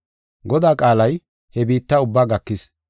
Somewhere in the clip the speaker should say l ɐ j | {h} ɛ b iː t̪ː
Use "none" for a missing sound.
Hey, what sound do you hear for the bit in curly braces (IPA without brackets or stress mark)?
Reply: h